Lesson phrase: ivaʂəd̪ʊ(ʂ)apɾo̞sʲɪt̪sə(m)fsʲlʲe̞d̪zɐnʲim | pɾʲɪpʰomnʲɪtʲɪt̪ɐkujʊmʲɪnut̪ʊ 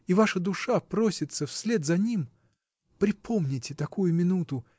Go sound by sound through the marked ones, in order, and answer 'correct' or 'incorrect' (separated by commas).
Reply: correct, incorrect